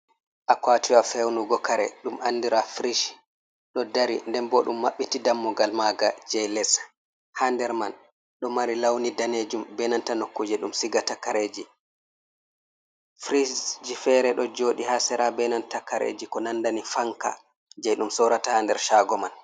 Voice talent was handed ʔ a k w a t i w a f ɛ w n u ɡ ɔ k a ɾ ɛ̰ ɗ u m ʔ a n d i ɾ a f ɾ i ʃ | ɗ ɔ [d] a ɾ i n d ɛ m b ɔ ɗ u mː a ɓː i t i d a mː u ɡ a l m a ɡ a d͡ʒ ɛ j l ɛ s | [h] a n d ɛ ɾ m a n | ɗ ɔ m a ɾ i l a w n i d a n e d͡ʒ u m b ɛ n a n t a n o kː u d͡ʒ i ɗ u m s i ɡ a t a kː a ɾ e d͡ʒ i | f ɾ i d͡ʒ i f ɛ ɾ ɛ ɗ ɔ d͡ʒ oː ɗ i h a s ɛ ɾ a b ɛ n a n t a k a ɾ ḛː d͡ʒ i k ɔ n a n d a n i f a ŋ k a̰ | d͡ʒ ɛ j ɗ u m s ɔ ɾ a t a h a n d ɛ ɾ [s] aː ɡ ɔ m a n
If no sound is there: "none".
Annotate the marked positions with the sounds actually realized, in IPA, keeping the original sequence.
d, h, ʃ

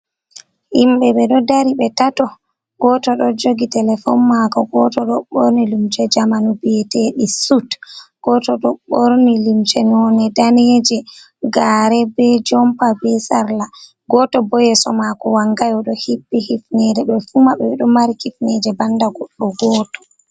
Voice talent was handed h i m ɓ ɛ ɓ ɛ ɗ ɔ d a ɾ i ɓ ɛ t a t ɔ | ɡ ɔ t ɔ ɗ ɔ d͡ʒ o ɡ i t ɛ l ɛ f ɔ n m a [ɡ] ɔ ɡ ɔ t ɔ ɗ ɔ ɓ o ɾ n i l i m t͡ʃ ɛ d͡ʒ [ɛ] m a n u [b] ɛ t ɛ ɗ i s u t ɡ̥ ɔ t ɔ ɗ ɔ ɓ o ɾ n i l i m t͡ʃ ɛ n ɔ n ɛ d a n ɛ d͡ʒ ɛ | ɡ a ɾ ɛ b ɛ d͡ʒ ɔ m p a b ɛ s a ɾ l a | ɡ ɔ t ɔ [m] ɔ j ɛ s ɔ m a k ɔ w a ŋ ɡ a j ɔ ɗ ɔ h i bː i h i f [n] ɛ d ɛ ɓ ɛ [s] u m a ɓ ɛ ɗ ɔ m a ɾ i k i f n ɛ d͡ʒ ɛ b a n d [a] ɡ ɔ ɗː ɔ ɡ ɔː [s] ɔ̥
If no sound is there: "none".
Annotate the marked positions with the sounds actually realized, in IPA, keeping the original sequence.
k, a, b, b, n, f, a, t

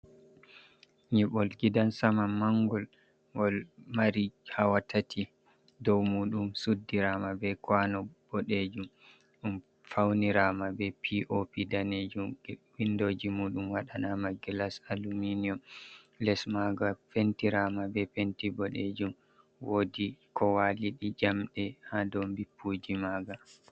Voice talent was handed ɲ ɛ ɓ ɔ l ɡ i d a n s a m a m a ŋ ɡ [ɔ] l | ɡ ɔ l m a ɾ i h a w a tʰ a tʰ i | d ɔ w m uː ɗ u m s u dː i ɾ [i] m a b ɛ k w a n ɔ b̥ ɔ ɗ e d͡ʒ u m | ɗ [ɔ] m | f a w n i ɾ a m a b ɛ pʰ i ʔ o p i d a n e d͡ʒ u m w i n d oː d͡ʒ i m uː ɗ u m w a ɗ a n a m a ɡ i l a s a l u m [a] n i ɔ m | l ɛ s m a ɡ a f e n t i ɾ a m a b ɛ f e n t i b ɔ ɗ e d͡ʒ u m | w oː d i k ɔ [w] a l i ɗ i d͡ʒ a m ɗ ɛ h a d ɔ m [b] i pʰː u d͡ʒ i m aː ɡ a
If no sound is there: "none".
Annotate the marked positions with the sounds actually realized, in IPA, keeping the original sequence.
ɔ, a, u, i, w, b

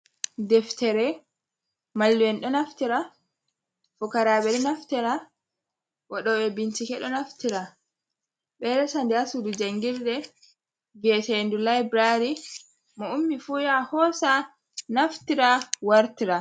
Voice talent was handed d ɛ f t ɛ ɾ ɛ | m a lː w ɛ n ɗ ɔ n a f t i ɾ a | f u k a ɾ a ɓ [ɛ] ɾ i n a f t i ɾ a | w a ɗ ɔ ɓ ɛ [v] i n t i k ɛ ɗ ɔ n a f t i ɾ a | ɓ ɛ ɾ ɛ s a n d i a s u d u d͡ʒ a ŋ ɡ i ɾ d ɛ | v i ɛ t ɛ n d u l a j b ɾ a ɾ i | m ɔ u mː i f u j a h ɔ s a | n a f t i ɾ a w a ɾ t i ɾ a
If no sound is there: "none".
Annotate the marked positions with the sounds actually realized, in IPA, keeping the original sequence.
ɛ, b

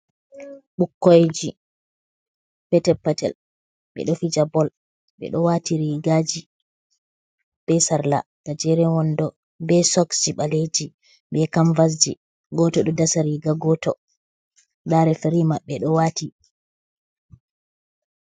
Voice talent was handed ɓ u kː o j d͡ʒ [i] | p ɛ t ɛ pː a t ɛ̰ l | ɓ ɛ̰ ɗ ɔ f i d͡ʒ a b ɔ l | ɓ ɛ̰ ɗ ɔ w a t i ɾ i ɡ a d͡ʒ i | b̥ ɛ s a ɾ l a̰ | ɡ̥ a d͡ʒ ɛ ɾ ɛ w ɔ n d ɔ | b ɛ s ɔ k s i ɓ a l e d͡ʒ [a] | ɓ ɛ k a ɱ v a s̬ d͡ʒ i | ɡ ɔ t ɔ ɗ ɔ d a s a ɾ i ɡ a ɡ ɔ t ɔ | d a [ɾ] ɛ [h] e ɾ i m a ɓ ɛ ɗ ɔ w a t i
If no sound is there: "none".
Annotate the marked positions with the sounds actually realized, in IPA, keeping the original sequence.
i, i, ɾ, f

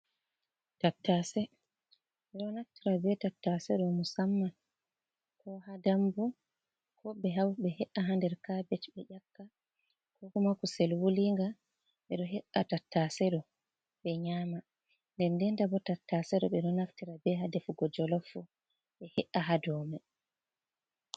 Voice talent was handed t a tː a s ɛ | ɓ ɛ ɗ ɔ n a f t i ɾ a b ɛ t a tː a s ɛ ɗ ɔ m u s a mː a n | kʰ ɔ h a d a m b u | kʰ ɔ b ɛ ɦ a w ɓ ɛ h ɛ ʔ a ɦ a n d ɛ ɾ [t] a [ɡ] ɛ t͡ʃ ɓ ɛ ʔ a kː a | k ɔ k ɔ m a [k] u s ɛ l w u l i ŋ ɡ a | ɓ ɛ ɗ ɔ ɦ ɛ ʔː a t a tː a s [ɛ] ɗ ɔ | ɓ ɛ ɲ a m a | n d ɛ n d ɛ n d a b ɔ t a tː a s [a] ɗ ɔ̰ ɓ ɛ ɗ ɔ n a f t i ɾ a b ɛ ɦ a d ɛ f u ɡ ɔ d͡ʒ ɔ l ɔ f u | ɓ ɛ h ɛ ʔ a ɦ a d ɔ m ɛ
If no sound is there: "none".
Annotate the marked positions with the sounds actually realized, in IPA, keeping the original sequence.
k, b, k, ɛ, ɛ

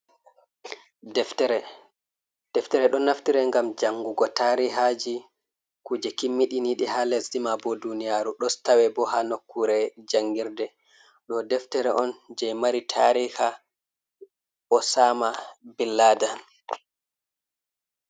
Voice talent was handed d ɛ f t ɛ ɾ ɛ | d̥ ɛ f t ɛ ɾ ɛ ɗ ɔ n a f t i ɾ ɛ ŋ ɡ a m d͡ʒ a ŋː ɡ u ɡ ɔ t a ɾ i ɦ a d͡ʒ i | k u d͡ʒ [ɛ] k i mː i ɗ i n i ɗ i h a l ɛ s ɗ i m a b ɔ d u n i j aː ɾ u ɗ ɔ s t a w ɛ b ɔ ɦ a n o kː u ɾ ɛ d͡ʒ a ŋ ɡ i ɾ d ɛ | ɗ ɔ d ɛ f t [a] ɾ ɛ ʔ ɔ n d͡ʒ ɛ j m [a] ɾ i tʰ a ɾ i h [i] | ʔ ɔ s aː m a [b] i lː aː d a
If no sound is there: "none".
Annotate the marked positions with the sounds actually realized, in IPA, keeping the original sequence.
ɛ, ɛ, a, a, b

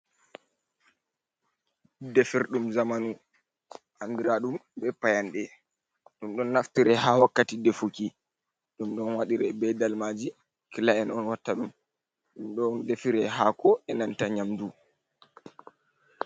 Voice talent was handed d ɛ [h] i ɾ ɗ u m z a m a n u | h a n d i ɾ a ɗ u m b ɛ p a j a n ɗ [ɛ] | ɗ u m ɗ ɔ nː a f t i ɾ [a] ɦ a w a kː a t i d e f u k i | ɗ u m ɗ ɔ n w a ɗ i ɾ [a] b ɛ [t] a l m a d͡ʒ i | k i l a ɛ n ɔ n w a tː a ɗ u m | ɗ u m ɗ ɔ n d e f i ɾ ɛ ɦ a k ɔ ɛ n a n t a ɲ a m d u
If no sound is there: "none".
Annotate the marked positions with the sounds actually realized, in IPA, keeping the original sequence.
f, ɛ, ɛ, ɛ, d

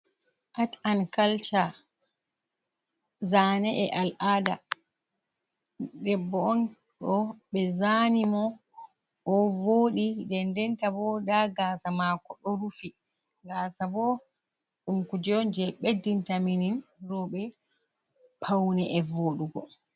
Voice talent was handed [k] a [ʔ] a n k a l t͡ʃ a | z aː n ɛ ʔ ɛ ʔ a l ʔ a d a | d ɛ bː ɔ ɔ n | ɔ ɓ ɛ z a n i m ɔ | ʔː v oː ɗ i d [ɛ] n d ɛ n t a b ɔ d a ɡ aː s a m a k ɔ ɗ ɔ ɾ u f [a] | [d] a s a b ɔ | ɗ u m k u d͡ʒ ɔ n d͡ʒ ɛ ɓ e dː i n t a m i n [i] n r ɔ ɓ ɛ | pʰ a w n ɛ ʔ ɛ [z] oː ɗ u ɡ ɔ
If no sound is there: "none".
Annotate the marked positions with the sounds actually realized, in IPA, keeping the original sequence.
ʔ, t, ɛ, i, ɡ, i, v

